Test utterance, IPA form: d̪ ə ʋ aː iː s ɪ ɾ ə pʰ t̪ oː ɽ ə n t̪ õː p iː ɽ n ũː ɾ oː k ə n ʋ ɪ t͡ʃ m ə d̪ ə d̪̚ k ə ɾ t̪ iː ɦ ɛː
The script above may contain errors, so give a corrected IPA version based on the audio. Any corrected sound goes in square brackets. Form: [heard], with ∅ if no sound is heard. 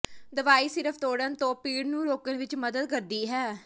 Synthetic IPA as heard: d̪ ə ʋ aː iː s ɪ ɾ ə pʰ t̪ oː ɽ ə n t̪ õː p iː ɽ n ũː ɾ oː k ə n ʋ ɪ t͡ʃ m ə d̪ ə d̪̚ k ə ɾ [d̪] iː ɦ ɛː